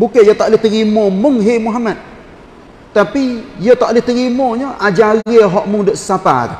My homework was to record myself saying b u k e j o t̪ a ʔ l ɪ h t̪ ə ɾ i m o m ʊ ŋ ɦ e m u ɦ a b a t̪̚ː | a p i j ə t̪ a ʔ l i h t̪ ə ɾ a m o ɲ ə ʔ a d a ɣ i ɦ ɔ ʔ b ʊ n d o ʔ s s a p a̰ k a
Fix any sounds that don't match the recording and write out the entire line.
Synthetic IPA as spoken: b u k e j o t̪ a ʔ l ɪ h t̪ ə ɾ i m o m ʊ ŋ ɦ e m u ɦ a m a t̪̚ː | a p i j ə t̪ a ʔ l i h t̪ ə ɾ i m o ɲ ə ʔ a d͡ʒ a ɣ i ɦ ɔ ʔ m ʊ ŋ d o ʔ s s a p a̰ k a